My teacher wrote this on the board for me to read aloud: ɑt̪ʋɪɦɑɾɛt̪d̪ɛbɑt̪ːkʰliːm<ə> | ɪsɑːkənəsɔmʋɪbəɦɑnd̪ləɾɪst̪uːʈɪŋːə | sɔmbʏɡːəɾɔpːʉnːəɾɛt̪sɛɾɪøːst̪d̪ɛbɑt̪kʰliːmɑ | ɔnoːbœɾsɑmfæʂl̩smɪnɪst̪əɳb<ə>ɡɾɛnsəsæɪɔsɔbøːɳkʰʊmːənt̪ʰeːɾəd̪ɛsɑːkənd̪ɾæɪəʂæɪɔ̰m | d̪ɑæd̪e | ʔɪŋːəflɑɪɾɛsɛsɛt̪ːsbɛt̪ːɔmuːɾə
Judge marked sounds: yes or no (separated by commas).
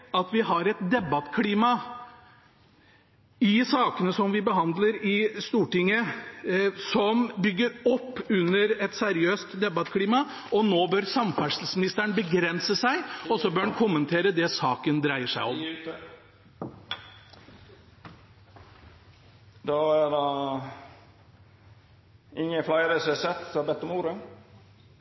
no, yes